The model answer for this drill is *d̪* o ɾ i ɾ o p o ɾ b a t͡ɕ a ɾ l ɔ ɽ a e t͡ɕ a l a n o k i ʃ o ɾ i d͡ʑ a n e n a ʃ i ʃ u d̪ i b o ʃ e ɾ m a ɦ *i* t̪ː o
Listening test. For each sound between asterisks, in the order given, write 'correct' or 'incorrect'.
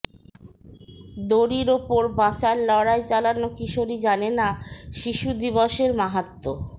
correct, incorrect

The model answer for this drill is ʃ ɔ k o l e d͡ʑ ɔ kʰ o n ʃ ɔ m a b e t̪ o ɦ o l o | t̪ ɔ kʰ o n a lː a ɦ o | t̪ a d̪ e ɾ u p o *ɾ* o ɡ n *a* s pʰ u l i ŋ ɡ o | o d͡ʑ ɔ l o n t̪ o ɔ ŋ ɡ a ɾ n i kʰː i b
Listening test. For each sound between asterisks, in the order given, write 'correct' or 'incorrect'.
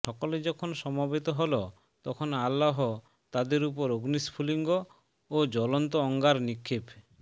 correct, incorrect

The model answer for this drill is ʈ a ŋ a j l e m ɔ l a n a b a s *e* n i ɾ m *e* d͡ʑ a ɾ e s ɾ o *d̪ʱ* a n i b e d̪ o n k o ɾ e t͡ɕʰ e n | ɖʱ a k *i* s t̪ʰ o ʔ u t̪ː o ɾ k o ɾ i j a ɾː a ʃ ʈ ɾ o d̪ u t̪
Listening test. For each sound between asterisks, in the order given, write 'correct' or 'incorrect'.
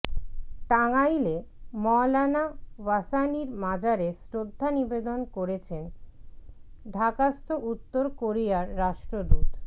incorrect, incorrect, incorrect, incorrect

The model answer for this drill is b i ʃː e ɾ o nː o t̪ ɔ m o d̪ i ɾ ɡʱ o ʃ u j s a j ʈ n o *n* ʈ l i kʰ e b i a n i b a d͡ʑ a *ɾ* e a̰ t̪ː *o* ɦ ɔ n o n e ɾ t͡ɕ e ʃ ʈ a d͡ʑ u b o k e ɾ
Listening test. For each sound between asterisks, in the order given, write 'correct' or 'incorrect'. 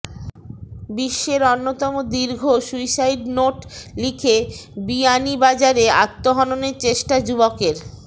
incorrect, correct, correct

